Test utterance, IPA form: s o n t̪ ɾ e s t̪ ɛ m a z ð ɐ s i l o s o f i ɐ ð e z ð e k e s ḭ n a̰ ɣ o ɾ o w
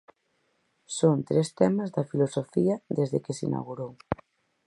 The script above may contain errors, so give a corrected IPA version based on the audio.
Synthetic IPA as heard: s o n t̪ ɾ e s t̪ ɛ m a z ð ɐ f i l o s o f i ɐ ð e z ð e k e s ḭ n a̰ ɣ u ɾ o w